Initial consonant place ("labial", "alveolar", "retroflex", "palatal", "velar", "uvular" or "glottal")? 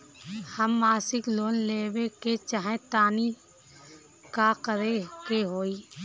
glottal